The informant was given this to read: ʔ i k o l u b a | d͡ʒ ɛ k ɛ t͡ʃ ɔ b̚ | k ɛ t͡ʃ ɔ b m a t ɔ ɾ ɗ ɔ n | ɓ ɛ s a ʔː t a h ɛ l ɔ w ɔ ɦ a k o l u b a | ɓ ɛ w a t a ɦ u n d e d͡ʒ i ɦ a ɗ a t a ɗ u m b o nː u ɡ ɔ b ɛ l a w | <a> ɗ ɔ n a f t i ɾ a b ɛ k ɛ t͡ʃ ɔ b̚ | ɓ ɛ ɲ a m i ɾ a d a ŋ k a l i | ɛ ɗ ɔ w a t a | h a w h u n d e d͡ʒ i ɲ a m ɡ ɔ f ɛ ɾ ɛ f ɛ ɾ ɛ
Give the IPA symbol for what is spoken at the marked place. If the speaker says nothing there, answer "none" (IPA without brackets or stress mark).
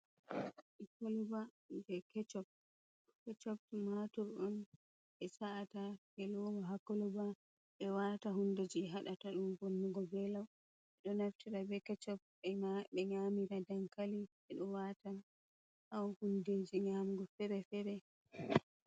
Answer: ɛ